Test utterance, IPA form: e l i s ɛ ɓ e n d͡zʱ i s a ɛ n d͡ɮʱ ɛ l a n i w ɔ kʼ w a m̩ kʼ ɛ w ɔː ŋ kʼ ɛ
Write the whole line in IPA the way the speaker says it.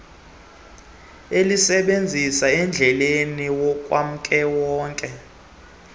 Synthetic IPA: e l i s ɛ ɓ e n d͡zʱ i s a ɛ n d͡ɮʱ ɛ l e n i w ɔ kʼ w a m̩ kʼ ɛ w ɔː ŋ kʼ ɛ